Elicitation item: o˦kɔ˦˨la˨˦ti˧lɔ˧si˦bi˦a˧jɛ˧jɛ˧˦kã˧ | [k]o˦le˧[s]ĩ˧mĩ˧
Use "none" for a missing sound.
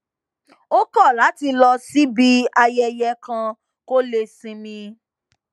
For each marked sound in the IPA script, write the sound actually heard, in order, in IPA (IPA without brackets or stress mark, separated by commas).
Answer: k, s